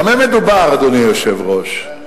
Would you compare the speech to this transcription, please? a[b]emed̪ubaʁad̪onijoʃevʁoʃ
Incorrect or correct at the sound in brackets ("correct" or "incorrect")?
incorrect